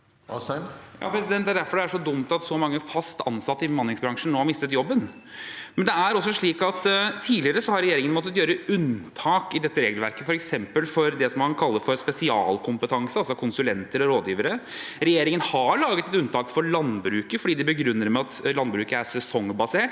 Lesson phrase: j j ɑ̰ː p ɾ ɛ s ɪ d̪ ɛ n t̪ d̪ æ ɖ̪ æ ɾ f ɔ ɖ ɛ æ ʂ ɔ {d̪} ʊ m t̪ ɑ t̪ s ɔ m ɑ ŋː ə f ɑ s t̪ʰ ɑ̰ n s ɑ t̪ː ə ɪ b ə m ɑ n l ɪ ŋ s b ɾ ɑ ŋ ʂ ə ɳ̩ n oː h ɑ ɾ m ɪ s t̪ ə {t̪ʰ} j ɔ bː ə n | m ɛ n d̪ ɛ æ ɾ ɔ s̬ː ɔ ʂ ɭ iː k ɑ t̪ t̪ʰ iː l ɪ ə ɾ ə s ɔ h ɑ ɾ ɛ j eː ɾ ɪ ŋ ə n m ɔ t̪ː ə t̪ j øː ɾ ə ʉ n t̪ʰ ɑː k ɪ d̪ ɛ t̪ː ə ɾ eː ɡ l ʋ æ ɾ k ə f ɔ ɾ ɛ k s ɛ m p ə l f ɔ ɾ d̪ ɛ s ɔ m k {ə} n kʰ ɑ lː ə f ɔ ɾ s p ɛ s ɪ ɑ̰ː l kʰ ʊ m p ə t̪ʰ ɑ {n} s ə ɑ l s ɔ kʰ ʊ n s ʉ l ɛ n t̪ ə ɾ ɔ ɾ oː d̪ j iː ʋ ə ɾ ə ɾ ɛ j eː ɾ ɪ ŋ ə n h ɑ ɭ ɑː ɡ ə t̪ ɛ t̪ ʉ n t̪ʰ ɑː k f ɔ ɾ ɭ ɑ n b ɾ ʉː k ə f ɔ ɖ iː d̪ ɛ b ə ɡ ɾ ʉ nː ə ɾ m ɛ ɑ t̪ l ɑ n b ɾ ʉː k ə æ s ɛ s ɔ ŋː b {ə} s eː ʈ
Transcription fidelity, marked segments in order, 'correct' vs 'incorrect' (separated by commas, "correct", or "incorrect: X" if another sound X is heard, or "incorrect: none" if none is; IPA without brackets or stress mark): correct, incorrect: t̪, incorrect: ɑ, incorrect: ŋ, incorrect: ɑ